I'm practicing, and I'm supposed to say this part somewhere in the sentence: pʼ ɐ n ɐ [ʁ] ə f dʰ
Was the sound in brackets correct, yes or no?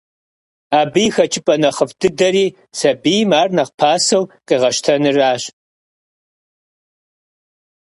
no